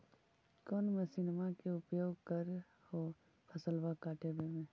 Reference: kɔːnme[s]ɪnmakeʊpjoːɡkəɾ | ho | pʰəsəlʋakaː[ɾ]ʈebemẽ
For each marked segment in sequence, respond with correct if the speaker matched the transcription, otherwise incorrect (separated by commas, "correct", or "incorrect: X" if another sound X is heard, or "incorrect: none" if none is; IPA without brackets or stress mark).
correct, incorrect: none